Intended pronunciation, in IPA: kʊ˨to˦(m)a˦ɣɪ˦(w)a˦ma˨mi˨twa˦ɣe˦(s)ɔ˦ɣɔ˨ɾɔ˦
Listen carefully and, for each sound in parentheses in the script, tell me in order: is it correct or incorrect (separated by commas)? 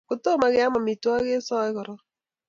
correct, incorrect, correct